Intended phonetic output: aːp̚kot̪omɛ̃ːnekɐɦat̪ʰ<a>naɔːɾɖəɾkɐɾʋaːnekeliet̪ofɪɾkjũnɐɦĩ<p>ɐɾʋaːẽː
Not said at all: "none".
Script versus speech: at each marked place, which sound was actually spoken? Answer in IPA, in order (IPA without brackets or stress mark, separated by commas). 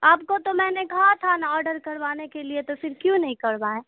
a, k